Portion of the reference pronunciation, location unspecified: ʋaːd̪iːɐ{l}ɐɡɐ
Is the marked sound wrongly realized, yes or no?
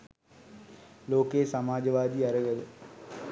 yes